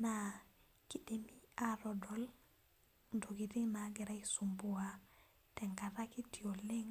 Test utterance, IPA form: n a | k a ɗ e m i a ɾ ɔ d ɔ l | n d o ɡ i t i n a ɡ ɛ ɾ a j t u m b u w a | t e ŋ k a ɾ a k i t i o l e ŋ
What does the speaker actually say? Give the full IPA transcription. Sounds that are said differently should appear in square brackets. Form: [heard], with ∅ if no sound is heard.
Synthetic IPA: n a | k [i] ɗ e m i a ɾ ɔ d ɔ l | n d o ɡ i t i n a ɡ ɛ ɾ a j [s] u m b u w a | t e ŋ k a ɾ a k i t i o l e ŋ